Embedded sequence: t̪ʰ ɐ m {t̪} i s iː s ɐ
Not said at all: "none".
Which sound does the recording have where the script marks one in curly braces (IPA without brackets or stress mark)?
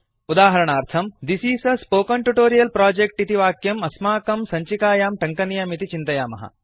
d̪